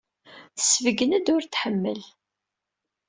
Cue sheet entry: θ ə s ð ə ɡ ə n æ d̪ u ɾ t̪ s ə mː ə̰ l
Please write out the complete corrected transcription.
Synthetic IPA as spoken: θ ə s v ə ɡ ə n æ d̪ ʊ ɾ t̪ ħ ə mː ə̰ l